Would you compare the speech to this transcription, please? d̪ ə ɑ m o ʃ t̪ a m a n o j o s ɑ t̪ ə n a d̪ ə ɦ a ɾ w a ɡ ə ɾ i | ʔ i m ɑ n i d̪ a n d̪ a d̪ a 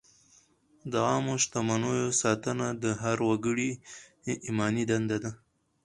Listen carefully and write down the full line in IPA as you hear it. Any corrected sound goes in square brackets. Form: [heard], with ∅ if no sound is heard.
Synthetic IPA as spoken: d̪ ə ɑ m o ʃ t̪ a m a n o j o s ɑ t̪ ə n a d̪ ə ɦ a ɾ w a ɡ ə [ɽ] i | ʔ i m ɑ n i d̪ a n d̪ a d̪ a